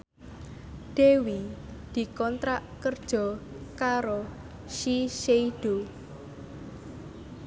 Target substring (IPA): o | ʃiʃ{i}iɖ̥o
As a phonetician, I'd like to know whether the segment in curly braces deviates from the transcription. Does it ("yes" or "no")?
yes